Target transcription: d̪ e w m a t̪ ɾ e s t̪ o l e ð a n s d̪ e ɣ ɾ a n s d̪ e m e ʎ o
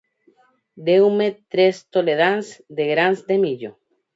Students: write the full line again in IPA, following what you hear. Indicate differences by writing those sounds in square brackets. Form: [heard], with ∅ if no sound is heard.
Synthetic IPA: d̪ e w m [e] t̪ ɾ e s t̪ o l e ð a n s d̪ e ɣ ɾ a n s d̪ e m [i] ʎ o